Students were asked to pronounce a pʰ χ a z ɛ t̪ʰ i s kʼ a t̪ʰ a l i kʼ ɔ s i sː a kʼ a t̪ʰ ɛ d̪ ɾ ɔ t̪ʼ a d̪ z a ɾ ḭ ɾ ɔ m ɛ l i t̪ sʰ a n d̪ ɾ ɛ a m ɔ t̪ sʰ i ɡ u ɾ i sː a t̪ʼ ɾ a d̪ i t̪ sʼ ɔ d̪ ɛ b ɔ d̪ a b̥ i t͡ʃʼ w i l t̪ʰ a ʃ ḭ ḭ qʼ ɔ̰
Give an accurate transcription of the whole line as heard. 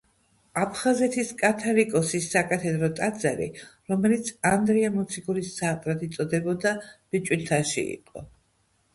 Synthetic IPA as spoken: a pʰ χ a z ɛ t̪ʰ i s kʼ a t̪ʰ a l i kʼ ɔ s i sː a kʼ a t̪ʰ ɛ d̪ ɾ ɔ t̪ʼ a d̪ z a ɾ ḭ ɾ ɔ m ɛ l i t̪ sʰ a n d̪ ɾ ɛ a m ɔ t̪ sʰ i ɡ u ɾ i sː a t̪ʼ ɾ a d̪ i t̪ sʼ ɔ d̪ ɛ b ɔ d̪ a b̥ i t͡ʃʼ w i l t̪ʰ a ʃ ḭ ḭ qʼ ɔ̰